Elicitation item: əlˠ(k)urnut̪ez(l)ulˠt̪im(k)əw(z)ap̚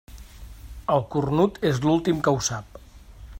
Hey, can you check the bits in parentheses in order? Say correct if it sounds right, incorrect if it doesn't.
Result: correct, correct, correct, incorrect: s

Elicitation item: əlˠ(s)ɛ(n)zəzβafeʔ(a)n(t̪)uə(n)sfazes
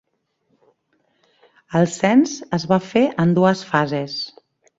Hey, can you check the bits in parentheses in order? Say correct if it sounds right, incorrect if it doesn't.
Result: correct, correct, incorrect: ə, incorrect: d̪, incorrect: none

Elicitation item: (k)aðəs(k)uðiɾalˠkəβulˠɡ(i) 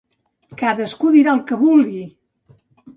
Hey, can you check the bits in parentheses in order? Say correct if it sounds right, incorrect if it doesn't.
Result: correct, correct, correct

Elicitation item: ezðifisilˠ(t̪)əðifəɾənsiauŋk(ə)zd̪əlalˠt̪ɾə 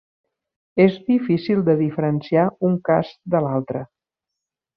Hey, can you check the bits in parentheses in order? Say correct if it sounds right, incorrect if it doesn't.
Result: incorrect: d̪, incorrect: a

